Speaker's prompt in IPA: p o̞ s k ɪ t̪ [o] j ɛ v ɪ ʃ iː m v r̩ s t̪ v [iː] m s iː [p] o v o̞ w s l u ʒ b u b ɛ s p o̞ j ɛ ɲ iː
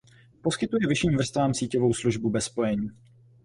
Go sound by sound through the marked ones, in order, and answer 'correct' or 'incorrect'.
incorrect: u, incorrect: aː, incorrect: c

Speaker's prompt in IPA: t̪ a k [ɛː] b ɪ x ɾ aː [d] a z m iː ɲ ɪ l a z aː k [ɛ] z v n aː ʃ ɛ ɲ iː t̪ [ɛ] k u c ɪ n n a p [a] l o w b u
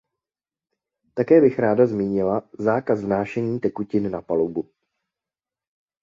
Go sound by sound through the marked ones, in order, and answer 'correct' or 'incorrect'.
correct, correct, incorrect: a, correct, correct

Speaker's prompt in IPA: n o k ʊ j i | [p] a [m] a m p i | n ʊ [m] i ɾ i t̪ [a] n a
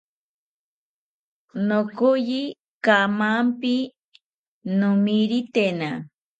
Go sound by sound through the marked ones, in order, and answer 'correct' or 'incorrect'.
incorrect: k, correct, correct, incorrect: e

